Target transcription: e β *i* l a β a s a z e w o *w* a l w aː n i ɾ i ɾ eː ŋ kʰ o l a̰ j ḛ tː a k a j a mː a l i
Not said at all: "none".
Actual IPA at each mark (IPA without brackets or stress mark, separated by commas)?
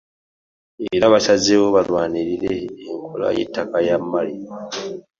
i, β